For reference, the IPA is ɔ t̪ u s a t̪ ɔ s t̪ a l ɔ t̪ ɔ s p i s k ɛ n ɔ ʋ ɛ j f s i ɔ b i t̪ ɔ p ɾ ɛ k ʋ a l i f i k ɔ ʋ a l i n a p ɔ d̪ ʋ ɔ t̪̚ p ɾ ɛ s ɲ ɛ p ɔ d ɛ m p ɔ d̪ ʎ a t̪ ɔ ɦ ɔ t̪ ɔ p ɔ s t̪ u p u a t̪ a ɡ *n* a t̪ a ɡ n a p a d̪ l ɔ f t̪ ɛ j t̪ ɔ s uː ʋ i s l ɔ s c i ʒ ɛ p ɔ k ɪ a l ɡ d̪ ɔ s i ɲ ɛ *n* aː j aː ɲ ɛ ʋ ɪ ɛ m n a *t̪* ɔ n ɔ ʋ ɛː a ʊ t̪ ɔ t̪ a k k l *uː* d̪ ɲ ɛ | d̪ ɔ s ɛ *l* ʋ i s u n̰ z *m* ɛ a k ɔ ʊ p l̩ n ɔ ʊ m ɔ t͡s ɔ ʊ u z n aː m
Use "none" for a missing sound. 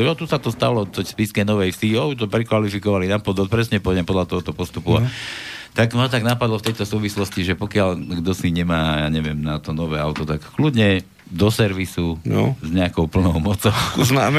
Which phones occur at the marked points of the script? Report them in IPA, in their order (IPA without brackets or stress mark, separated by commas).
m, m, t̪, u, ɾ, ɲ